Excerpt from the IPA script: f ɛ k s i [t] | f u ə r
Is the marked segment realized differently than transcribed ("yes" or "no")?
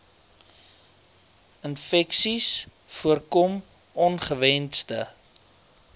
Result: yes